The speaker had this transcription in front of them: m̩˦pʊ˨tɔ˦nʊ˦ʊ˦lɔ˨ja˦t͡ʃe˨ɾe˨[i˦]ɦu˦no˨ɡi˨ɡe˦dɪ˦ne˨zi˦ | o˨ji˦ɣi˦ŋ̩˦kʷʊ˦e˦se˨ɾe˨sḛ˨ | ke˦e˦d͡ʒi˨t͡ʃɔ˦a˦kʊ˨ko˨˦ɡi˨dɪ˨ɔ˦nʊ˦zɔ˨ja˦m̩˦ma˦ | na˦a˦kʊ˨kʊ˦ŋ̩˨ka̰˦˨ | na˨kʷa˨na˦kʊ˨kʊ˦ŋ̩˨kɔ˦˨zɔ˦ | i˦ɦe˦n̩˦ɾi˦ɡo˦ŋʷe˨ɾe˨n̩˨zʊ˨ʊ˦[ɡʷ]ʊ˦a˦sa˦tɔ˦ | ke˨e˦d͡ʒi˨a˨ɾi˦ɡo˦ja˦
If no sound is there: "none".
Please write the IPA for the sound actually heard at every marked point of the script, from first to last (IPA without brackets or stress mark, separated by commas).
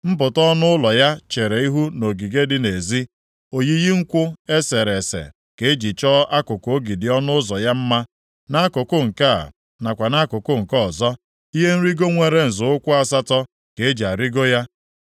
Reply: i˦, kʷ